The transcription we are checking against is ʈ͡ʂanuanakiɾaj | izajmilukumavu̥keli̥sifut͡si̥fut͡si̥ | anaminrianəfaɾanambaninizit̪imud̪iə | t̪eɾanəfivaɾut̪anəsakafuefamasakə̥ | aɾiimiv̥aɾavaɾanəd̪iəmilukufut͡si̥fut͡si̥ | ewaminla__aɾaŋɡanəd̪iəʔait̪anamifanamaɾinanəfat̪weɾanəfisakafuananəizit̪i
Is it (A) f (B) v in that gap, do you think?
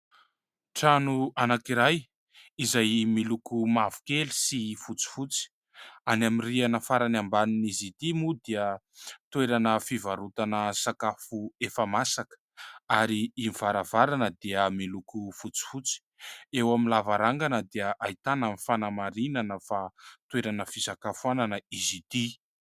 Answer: B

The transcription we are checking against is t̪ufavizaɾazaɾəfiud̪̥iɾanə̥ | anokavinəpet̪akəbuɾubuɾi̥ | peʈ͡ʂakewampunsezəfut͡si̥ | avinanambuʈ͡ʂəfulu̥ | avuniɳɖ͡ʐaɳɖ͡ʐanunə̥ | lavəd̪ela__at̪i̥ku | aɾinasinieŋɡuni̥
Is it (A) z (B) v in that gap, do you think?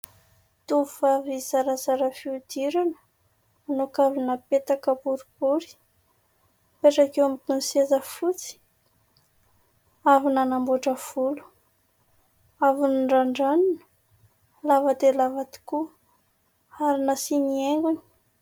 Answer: B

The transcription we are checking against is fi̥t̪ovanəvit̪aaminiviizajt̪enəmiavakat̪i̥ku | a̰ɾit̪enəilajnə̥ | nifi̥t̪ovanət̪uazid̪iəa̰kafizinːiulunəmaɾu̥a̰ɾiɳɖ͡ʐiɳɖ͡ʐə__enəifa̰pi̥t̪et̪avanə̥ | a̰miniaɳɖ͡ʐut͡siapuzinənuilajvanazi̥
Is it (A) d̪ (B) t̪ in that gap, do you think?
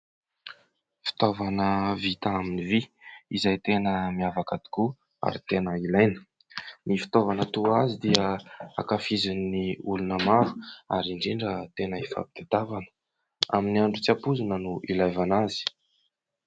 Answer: B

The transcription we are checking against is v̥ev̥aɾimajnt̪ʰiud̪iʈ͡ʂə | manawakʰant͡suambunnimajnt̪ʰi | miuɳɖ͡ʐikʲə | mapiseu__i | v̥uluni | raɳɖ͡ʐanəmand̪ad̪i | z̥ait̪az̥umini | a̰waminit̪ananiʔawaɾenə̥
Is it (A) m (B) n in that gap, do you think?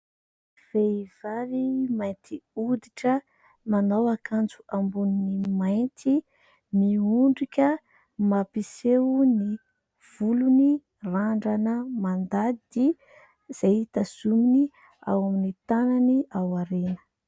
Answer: B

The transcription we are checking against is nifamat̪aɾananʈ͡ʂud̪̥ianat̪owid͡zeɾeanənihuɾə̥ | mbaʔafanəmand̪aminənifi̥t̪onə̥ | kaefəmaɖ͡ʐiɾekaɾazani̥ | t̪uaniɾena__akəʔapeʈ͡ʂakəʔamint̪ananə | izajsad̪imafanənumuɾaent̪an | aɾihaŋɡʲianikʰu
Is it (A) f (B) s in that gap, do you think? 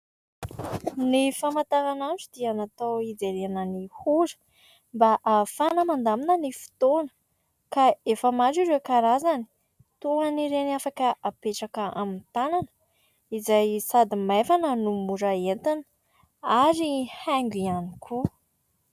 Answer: A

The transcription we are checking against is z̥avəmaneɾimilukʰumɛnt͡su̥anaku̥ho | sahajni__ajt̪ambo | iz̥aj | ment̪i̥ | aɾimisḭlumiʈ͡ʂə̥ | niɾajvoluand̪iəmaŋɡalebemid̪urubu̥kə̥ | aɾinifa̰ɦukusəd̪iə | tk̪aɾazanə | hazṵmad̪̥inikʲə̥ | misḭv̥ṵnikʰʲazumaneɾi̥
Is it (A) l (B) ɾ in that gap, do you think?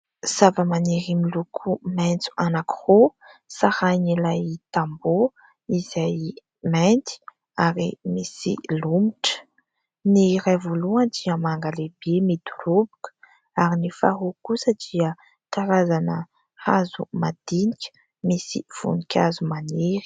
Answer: A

